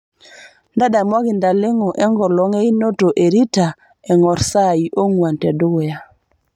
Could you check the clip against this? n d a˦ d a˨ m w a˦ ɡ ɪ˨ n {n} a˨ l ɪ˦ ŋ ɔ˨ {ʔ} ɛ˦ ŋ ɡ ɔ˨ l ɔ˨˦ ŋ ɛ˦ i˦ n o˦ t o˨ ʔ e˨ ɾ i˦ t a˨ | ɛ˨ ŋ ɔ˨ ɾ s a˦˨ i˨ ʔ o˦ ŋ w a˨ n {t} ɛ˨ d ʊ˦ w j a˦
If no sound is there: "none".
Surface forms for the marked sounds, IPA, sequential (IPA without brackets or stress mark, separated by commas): d, ʔ, t